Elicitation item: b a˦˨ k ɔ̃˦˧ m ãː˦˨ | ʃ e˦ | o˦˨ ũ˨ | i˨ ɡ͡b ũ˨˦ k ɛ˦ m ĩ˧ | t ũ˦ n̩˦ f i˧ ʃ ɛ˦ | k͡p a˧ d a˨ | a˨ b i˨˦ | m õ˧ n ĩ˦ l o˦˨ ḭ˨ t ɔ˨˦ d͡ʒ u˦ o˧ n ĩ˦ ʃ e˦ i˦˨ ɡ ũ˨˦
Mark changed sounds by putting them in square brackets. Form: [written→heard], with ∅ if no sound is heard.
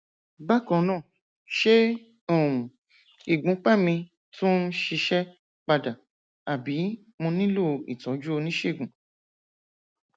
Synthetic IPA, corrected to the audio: b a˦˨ k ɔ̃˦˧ [m→n] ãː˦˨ | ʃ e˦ | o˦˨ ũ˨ | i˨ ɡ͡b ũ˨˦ [k→k͡p] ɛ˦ m ĩ˧ | t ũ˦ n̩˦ [f→ʃ] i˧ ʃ ɛ˦ | k͡p a˧ d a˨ | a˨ b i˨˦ | m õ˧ n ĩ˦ l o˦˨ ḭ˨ t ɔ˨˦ d͡ʒ u˦ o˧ n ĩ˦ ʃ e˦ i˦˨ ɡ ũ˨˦